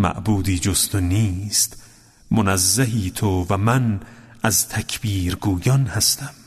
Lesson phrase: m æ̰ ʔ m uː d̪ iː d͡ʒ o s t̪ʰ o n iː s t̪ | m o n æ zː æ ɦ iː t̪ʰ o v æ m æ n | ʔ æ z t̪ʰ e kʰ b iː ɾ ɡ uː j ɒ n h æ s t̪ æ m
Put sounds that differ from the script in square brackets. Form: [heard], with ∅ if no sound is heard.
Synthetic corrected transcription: m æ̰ ʔ [b] uː d̪ iː d͡ʒ o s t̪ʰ o n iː s t̪ | m o n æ zː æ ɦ iː t̪ʰ o v æ m æ n | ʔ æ z t̪ʰ [æ] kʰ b iː ɾ ɡ uː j ɒ n h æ s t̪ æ m